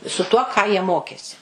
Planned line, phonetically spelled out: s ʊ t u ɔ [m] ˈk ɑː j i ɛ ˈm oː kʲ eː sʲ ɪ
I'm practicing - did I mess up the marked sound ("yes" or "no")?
yes